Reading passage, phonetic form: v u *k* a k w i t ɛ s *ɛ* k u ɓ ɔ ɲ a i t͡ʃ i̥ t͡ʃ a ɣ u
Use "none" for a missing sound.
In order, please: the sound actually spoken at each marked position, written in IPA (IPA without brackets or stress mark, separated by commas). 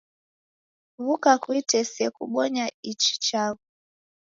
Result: k, ɛ